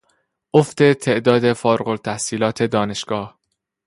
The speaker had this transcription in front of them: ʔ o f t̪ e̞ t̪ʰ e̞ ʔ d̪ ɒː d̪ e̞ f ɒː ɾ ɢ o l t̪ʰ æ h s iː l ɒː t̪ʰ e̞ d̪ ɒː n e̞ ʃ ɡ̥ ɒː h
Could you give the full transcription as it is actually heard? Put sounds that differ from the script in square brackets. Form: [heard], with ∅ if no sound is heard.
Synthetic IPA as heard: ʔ o f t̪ e̞ t̪ʰ e̞ ʔ d̪ ɒː d̪ e̞ f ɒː ɾ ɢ o l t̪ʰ æ h s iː l ɒː t̪ʰ e̞ d̪ ɒː n e̞ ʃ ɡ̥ ɒː h